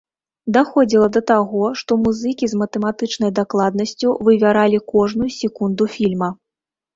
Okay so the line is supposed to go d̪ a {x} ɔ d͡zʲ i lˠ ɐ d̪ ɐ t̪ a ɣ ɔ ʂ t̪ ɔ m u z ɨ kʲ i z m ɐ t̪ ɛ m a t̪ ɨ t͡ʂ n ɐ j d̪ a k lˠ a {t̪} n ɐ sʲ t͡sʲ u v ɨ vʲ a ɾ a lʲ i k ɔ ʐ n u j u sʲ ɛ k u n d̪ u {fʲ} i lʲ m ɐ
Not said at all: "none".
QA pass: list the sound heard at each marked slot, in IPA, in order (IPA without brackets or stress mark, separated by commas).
x, d̪, fʲ